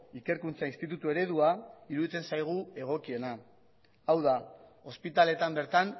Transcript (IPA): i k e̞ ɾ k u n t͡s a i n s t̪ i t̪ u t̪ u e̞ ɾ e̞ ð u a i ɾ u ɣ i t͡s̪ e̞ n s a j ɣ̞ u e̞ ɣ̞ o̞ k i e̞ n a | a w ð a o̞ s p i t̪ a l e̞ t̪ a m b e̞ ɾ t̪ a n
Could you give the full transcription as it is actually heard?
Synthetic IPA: i k e̞ ɾ k u n t͡s a i n s t̪ i t̪ u t̪ u e̞ ɾ e̞ ð u a i ɾ u ð i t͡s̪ e̞ n s a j ɣ̞ u e̞ ɣ̞ o̞ k i e̞ n a | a w ð a o̞ s p i t̪ a l e̞ t̪ a m b e̞ ɾ t̪ a n

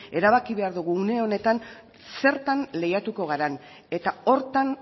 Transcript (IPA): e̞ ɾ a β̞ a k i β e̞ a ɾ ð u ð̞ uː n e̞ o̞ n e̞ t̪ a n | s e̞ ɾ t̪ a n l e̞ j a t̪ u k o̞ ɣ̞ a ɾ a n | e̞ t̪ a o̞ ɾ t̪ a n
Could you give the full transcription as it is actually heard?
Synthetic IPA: e̞ ɾ a β̞ a k i β e̞ a ɾ ð u ɣ̞ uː n e̞ o̞ n e̞ t̪ a n | s e̞ ɾ t̪ a n l e̞ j a t̪ u k o̞ ɣ̞ a ɾ a n | e̞ t̪ a o̞ ɾ t̪ a n

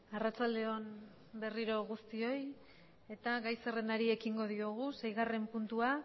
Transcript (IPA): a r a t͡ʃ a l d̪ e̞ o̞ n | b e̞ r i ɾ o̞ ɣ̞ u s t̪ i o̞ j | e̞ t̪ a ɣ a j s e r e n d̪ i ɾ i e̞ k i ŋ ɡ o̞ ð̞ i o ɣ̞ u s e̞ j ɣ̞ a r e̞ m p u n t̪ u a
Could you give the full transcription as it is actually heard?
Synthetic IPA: a r a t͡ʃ a l d̪ e̞ o̞ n | b e̞ r i ɾ o̞ ɣ̞ u s t̪ i o̞ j | e̞ t̪ a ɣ a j s e r e n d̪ a ɾ i e̞ k i ŋ ɡ o̞ ð̞ i o ɣ̞ u s e̞ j ɣ̞ a r e̞ m p u n t̪ u a

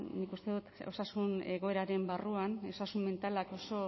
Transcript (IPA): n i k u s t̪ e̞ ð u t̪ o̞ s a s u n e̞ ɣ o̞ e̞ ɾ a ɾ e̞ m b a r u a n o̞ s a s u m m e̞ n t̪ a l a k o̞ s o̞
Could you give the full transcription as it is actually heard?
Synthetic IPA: n i k u s t̪ e̞ ð u t̪ o̞ s a s u n e̞ ɣ o̞ e̞ ɾ a ɾ e̞ m b a r u a n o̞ s a s u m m e̞ n t̪ a l a k o̞ s o̞

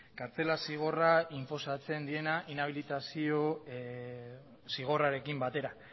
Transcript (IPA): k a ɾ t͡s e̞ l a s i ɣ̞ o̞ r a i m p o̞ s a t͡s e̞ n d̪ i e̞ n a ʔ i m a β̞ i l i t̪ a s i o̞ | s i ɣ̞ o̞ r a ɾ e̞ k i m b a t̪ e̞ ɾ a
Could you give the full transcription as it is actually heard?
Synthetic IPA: k a ɾ t͡s e̞ l a s i ɣ̞ o̞ r a i m p o̞ s a t͡s e̞ n d̪ i e̞ n a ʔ i n a β̞ i l i t̪ a s i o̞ | s i ɣ̞ o̞ r a ɾ e̞ k i m b a t̪ e̞ ɾ a

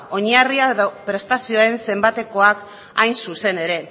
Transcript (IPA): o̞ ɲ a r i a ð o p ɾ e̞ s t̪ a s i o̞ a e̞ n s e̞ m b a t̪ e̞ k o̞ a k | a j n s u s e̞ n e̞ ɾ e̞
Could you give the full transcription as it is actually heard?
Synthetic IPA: o̞ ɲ a r i a ð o p ɾ e̞ s t̪ a s i o̞ a e̞ n s e̞ m b a t̪ e̞ k o̞ a k | a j n s u s e̞ n e̞ ɾ e̞

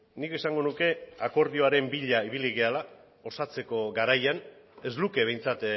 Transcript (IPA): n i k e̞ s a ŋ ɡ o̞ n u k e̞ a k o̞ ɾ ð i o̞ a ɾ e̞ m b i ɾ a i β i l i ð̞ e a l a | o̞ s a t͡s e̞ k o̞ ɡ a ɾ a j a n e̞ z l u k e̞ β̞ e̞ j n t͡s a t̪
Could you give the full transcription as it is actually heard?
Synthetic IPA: n i k e̞ s a ŋ ɡ o̞ n u k e̞ a k o̞ ɾ ð i o̞ a ɾ e̞ m b i ʎ a i β i l i ɣ̞ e a l a | o̞ s a t͡s e̞ k o̞ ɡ a ɾ a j a n e̞ z l u k e̞ β̞ e̞ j n t͡s a t̪

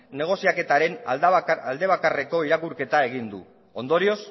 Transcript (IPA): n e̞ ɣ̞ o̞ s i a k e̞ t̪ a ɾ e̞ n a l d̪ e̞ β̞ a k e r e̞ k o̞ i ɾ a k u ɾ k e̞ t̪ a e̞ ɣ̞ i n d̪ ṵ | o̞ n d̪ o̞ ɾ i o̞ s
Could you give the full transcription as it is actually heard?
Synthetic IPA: n e̞ ɣ̞ o̞ s i a k e̞ t̪ a ɾ e̞ n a l d̪ e̞ β̞ a k a r e̞ k o̞ i ɾ a k u ɾ k e̞ t̪ a e̞ ɣ̞ i n d̪ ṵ | o̞ n d̪ o̞ ɾ i o̞ s

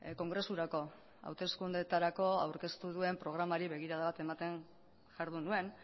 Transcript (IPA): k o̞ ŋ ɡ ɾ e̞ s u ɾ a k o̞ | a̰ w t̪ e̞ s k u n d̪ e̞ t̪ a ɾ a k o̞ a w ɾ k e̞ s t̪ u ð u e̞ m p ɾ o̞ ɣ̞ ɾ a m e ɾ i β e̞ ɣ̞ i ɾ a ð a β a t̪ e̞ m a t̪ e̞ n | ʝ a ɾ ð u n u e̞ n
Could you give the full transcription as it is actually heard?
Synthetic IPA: k o̞ ŋ ɡ ɾ e̞ s u ɾ a k o̞ | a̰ w t̪ e̞ s k u n d̪ e̞ t̪ a ɾ a k o̞ a w ɾ k e̞ s t̪ u ð u e̞ m p ɾ o̞ ɣ̞ ɾ a m a ɾ i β e̞ ɣ̞ i ɾ a ð a β a t̪ e̞ m a t̪ e̞ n | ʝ a ɾ ð u n u e̞ n

